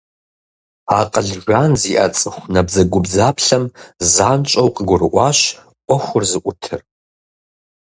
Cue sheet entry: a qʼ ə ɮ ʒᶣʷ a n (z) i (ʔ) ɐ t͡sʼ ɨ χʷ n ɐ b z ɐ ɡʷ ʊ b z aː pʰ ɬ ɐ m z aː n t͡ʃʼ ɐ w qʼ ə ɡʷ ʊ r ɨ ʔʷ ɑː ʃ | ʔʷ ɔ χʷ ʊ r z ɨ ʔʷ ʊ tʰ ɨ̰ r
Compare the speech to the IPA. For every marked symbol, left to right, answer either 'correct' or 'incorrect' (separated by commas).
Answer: correct, correct